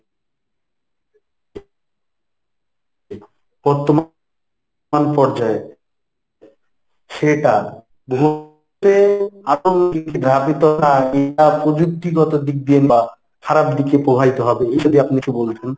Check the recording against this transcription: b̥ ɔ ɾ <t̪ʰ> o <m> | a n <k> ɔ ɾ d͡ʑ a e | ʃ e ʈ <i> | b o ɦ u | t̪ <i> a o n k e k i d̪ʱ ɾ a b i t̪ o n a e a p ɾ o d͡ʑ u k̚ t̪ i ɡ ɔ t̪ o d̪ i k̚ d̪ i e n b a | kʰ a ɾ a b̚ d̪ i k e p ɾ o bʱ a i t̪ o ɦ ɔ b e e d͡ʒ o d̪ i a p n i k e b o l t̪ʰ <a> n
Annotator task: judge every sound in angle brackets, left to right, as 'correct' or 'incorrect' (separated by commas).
incorrect, correct, incorrect, incorrect, incorrect, incorrect